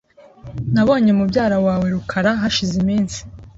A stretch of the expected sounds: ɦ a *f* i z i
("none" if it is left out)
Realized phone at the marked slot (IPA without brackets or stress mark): ʃ